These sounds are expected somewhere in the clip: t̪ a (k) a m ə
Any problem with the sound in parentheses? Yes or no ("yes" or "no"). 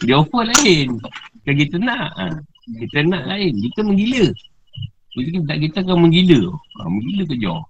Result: no